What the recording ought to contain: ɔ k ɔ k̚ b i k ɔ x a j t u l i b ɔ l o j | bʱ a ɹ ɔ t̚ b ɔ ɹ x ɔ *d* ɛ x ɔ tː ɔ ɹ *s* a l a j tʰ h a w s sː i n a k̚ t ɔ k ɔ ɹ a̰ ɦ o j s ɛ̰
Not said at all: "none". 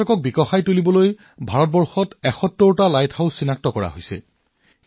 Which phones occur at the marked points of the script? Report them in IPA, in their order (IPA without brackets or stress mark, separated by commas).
t, t